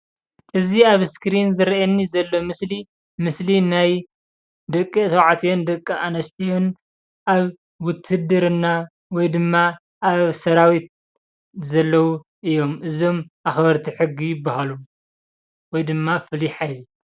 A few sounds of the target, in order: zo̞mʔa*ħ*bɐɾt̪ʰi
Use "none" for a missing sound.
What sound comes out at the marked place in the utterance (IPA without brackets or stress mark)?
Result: x